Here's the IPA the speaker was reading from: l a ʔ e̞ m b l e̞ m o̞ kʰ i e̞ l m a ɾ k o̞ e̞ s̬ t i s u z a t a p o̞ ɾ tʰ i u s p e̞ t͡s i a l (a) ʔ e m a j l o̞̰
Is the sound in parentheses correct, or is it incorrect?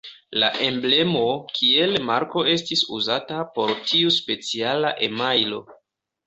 correct